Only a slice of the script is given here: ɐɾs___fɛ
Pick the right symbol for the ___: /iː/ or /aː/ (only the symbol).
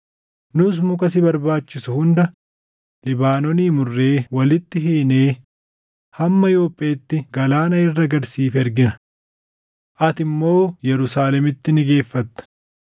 iː